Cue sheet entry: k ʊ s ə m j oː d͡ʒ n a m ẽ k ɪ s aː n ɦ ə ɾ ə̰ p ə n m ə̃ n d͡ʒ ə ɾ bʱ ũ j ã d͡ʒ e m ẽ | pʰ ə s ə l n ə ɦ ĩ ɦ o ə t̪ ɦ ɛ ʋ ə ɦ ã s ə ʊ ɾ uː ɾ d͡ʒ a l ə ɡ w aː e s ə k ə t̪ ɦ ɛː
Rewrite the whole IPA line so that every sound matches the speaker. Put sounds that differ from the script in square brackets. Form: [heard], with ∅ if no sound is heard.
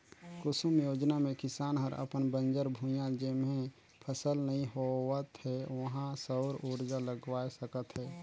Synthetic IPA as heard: k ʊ s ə m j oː d͡ʒ n a m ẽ k ɪ s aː n ɦ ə ɾ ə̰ p ə n [b] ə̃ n d͡ʒ ə ɾ bʱ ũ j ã d͡ʒ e m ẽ | pʰ ə s ə l n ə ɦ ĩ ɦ o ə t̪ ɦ ɛ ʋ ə ɦ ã s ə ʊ ɾ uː ɾ d͡ʒ a l ə ɡ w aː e s ə k ə t̪ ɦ ɛː